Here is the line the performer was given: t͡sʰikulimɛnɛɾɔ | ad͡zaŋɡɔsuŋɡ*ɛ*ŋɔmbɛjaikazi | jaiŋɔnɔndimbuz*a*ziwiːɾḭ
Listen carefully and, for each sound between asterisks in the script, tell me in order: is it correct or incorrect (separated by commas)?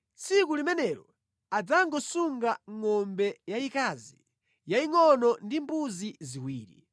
incorrect, incorrect